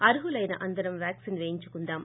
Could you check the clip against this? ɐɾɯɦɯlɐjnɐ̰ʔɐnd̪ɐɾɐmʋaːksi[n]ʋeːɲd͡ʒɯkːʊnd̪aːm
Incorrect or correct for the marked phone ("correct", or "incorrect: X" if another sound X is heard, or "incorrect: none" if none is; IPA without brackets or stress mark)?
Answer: correct